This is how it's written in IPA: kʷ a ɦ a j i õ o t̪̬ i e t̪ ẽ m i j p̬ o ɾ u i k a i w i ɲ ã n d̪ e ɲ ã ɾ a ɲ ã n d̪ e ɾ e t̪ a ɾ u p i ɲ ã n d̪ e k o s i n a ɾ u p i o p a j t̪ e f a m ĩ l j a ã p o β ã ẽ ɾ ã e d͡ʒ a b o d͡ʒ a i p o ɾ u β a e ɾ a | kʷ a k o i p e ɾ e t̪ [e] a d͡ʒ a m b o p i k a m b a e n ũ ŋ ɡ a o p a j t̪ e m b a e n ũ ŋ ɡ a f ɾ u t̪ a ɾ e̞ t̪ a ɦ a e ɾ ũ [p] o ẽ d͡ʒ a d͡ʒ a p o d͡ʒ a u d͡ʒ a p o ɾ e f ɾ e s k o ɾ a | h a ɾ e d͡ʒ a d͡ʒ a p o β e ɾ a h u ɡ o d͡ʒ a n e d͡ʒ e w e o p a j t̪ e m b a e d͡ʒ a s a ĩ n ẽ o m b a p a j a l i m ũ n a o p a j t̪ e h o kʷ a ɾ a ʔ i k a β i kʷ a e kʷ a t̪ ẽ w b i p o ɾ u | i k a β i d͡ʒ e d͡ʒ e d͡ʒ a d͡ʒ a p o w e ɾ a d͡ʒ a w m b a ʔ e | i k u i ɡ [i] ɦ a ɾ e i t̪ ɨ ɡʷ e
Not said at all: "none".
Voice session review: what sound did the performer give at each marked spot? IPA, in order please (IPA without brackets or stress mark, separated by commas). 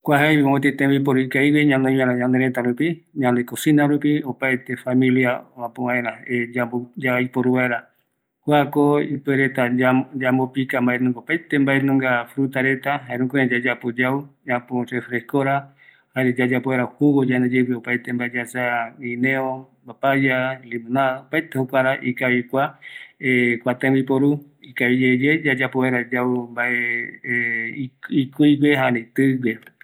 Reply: a, k, e